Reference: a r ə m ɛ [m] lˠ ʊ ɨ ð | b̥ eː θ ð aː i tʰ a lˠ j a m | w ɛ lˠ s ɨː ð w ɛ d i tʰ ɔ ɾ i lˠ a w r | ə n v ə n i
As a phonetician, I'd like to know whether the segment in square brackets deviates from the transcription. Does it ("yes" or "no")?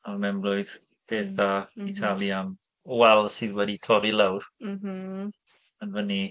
no